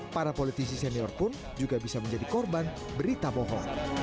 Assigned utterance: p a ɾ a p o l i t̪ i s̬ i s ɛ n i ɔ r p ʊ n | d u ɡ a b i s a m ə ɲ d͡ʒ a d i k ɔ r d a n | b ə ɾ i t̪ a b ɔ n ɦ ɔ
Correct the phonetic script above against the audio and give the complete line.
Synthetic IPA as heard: p a ɾ a p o l i t̪ i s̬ i s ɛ n i ɔ r p ʊ n | d͡ʒ u ɡ a b i s a m ə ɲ d͡ʒ a d i k ɔ r b a n | b ə ɾ i t̪ a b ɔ ɦ ɔ